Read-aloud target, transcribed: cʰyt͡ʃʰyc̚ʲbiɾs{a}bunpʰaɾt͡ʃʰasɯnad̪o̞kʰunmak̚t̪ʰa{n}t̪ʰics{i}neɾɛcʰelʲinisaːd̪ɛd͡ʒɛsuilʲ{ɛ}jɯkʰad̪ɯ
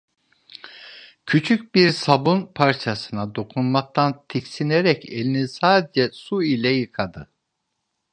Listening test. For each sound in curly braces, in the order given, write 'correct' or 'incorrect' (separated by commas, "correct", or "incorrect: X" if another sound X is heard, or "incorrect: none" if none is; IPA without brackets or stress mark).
correct, correct, correct, correct